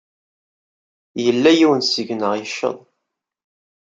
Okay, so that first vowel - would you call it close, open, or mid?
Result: mid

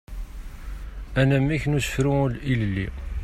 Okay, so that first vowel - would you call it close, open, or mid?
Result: open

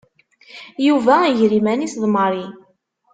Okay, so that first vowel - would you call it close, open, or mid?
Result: close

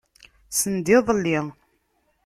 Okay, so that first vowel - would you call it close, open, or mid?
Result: mid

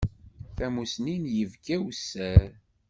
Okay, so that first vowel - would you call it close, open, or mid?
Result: open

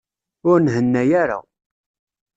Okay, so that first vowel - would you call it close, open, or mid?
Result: close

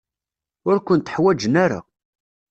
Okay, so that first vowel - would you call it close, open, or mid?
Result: close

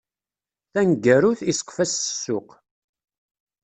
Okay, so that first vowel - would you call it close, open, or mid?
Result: open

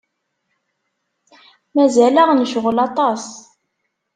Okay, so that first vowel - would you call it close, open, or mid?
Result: open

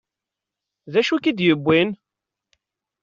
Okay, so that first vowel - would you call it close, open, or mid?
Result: open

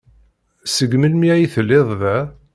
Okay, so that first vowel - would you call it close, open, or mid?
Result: mid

